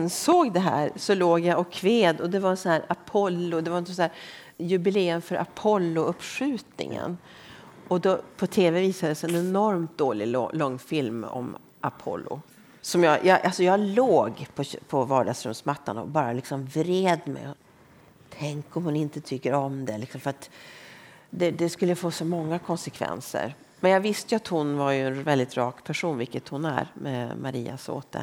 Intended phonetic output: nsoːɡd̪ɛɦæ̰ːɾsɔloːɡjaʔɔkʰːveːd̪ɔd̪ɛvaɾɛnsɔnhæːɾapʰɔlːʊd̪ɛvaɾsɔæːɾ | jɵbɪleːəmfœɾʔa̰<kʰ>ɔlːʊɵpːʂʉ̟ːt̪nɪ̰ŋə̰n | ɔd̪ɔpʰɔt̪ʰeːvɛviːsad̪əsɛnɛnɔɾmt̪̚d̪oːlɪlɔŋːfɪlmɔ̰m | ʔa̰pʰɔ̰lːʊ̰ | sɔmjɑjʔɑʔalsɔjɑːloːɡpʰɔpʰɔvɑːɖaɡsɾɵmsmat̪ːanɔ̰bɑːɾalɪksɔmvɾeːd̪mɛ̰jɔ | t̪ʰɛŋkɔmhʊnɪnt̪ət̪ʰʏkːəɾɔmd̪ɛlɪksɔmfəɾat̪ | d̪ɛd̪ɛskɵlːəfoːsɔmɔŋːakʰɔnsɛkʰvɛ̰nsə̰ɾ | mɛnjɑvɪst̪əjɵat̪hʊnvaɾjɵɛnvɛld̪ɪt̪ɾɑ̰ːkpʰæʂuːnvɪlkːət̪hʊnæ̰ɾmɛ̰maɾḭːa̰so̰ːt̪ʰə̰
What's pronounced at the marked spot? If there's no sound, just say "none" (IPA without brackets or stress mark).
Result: pʰ